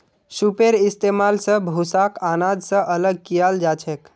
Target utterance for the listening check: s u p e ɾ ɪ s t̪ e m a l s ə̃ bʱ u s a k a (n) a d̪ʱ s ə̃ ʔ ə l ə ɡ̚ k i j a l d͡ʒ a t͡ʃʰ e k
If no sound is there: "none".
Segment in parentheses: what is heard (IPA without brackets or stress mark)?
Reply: n